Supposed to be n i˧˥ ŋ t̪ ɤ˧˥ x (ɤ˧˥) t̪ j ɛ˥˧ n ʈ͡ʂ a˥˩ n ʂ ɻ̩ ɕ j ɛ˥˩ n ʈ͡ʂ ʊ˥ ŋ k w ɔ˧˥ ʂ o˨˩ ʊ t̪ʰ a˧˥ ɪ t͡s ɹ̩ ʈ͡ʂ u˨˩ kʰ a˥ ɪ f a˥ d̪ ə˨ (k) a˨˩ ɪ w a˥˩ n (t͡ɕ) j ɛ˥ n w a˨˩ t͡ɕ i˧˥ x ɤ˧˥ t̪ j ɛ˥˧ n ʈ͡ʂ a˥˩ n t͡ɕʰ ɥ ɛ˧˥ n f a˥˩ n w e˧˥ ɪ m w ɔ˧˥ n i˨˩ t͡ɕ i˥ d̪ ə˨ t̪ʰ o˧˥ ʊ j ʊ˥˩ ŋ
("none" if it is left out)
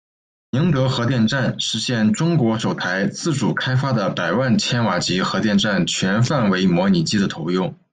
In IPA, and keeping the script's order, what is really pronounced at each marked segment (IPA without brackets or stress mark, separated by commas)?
ɤ˧˥, p, t͡ɕʰ